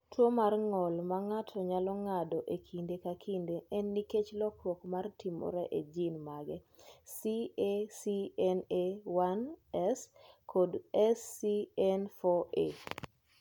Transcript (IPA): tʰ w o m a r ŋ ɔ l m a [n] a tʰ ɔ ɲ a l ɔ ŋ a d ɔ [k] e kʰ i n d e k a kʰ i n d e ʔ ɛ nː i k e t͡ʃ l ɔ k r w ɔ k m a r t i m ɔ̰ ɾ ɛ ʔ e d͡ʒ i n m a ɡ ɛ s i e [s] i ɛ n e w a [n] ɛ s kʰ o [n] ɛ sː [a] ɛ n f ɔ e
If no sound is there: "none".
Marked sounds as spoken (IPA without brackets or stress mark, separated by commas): ŋ, ʔ, s, n, d, i